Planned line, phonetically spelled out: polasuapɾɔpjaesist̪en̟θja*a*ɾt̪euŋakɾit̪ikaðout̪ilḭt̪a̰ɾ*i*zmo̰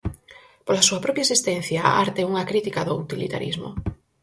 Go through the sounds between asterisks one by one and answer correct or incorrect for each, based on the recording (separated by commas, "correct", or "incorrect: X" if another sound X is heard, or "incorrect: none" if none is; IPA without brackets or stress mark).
correct, correct